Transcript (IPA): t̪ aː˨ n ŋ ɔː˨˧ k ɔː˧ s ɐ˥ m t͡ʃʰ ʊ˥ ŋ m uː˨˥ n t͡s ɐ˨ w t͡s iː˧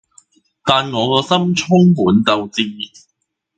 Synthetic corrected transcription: t̪ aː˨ n ŋ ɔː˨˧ k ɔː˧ s ɐ˥ m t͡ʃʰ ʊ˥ ŋ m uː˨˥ n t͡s ɐ˨ w t͡s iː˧

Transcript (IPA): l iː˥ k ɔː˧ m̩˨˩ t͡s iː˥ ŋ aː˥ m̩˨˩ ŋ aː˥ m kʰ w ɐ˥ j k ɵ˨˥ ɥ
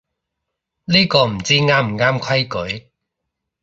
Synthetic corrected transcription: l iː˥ k ɔː˧ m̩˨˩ t͡s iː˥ ŋ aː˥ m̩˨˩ ŋ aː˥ m kʰ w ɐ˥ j k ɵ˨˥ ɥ

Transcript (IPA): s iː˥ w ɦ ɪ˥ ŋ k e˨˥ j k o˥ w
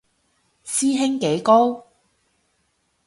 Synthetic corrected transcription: s iː˥ ɦ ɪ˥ ŋ k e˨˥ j k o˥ w

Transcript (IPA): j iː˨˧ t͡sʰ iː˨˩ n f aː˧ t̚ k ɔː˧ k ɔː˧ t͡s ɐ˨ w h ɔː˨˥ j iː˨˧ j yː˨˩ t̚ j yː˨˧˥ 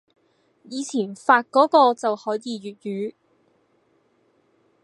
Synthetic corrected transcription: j iː˨˧ t͡sʰ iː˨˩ n f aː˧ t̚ k ɔː˨˥ k ɔː˧ t͡s ɐ˨ w h ɔː˨˥ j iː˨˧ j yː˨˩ t̚ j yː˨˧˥

